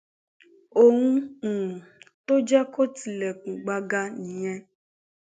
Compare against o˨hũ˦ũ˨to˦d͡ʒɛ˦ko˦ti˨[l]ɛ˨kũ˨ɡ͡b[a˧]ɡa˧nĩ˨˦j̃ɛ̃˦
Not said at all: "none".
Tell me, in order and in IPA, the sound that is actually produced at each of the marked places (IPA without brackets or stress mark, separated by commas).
l, a˧